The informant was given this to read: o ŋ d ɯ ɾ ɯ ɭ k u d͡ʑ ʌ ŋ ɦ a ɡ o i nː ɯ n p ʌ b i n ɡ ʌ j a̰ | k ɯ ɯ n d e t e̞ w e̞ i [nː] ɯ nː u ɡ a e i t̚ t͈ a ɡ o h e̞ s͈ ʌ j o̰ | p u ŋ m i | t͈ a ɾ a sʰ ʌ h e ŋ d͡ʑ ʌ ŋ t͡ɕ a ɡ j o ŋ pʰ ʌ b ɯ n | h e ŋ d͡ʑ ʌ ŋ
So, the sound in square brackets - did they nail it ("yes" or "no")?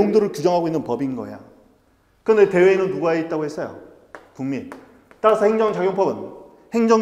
no